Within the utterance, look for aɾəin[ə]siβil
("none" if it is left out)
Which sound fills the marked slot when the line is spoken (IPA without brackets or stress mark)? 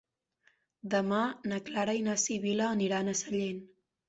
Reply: a